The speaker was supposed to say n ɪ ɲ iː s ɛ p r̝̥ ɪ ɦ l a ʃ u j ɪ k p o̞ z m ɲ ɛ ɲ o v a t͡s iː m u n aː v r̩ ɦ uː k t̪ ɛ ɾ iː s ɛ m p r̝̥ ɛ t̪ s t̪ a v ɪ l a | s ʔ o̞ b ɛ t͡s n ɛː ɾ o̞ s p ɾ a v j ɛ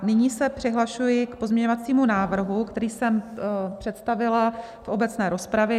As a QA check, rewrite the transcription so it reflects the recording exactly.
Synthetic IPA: n ɪ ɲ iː s ɛ p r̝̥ ɪ ɦ l a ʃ u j ɪ k p o̞ z m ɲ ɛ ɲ o v a t͡s iː m u n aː v r̩ ɦ u k t̪ ɛ ɾ iː s ɛ m p r̝̥ ɛ t̪ s t̪ a v ɪ l a | f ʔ o̞ b ɛ t͡s n ɛː ɾ o̞ s p ɾ a v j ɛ